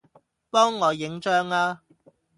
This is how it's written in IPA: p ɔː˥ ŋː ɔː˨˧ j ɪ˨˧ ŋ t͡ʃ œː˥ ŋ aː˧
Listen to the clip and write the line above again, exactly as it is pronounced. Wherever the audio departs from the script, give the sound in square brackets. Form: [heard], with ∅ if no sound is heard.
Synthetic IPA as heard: p ɔː˥ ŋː ɔː˨˧ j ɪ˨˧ ŋ t͡ʃ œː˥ ŋ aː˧